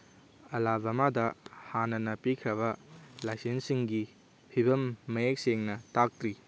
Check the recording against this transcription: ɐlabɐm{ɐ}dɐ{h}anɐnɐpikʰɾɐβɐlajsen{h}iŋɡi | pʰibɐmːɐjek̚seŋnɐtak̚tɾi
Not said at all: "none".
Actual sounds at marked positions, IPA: a, h, s

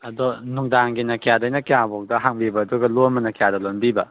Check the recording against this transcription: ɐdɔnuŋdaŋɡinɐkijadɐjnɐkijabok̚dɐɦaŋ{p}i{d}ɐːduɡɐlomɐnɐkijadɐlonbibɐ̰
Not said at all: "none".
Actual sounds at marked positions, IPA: b, b

